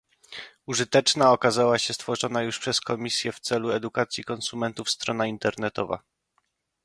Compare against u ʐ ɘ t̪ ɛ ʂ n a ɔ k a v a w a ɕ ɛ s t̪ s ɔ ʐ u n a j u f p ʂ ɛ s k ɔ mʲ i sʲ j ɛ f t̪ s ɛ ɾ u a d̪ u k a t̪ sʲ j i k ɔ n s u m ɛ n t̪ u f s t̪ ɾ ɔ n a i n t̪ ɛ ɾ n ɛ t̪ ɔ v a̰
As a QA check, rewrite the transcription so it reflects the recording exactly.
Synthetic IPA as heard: u ʐ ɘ t̪ ɛ t͡ʂ n a ɔ k a z a w a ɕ ɛ s t̪ f ɔ ʐ ɔ n a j u ʂ p ʂ ɛ s k ɔ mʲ i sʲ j ɛ f t̪ s ɛ l u ɛ d̪ u k a t̪ sʲ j i k ɔ n s u m ɛ n t̪ u f s t̪ ɾ ɔ n a i n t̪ ɛ ɾ n ɛ t̪ ɔ v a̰